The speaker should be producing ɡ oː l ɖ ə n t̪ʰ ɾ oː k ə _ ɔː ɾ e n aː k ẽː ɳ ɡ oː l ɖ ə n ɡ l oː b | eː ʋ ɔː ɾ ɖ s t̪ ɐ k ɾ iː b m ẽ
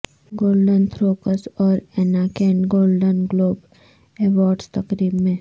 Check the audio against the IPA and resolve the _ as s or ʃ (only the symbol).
s